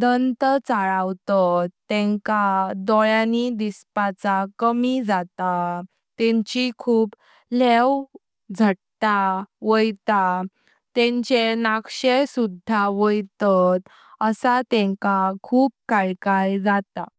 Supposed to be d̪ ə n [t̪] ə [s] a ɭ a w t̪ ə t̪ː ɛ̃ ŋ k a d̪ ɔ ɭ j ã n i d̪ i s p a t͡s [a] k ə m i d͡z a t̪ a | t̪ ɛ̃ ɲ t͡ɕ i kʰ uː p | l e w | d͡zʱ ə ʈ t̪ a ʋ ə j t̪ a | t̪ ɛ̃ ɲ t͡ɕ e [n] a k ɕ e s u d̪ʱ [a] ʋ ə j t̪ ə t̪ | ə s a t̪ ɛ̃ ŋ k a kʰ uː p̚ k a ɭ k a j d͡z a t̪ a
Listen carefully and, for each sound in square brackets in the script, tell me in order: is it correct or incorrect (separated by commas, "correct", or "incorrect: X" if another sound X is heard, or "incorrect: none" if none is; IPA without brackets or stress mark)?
correct, incorrect: t͡s, correct, correct, correct